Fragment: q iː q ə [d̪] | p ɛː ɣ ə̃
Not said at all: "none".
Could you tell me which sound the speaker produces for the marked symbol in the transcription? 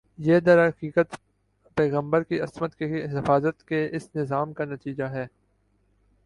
t̪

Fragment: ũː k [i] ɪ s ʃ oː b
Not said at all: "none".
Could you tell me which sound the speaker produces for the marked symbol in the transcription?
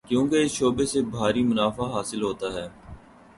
e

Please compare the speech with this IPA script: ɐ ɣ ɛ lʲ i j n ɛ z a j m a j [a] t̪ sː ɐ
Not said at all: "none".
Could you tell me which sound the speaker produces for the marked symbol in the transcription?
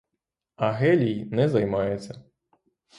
ɛ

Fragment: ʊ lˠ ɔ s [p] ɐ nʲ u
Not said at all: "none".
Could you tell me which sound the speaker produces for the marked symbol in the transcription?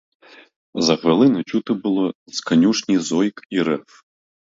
k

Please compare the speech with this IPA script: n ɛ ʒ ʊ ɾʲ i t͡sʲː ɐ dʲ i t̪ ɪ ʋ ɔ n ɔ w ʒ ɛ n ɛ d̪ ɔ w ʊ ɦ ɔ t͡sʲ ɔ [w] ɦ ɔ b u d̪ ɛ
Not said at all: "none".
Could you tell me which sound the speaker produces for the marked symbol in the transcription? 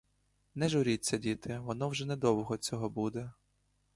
none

